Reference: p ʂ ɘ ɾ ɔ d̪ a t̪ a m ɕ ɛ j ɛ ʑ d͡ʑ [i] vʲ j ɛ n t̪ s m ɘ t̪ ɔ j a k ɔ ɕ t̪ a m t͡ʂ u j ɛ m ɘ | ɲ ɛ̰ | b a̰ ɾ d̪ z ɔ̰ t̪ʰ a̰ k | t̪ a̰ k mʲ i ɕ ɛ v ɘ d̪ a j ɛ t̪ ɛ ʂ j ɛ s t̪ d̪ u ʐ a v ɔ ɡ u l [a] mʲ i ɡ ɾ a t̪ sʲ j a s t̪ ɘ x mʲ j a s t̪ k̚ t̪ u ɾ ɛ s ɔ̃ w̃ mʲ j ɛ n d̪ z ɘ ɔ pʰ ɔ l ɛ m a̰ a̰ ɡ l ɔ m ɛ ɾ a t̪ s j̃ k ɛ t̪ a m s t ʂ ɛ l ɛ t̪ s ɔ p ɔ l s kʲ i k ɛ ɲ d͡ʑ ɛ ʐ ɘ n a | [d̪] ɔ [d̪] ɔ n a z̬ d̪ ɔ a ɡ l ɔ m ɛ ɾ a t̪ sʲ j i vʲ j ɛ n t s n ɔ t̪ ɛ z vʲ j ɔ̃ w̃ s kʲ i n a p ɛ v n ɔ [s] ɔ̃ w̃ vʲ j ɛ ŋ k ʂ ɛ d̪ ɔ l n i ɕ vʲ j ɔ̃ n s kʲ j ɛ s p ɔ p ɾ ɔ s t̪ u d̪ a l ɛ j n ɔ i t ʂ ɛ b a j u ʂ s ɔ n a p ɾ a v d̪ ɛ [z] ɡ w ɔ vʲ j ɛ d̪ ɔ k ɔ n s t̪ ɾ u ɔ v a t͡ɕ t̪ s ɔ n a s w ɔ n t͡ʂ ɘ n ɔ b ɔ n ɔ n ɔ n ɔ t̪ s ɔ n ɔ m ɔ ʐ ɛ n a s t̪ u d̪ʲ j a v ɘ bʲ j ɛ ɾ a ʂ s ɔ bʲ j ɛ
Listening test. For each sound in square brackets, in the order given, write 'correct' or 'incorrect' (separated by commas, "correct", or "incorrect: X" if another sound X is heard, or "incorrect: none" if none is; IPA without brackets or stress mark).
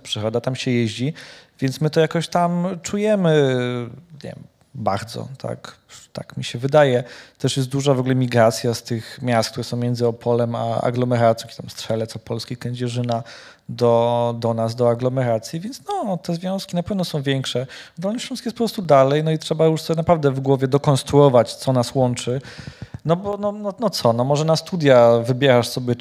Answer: correct, incorrect: ɛ, correct, correct, correct, incorrect: v